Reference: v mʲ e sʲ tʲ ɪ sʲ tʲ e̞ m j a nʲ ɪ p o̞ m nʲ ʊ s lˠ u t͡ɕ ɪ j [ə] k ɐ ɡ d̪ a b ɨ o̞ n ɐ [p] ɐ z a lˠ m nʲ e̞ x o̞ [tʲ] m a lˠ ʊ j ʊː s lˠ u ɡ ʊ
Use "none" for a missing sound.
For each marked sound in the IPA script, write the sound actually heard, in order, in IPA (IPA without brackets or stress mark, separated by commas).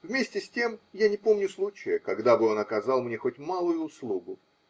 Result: ə, k, tʲ